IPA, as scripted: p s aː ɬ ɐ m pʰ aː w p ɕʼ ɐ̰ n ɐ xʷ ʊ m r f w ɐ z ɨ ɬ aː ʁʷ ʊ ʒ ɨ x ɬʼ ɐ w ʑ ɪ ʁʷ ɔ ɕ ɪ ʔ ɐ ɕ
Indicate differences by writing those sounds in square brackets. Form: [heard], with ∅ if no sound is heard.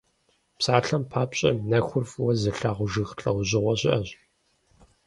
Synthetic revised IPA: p s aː ɬ ɐ m pʰ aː [∅] p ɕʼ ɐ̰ n ɐ xʷ ʊ [∅] r f w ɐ z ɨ ɬ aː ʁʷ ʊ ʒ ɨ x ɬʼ ɐ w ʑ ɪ ʁʷ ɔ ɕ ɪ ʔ ɐ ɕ